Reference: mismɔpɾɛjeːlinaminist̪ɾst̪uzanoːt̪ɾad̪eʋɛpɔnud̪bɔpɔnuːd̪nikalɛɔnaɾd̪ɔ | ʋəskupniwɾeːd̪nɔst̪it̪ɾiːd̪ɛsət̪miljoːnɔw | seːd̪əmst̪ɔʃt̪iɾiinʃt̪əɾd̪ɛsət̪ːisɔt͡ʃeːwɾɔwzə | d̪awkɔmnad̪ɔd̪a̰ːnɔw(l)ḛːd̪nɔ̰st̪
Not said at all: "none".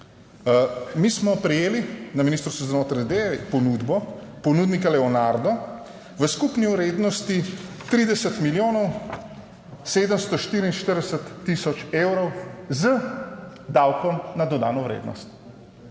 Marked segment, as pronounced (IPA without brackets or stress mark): ɾ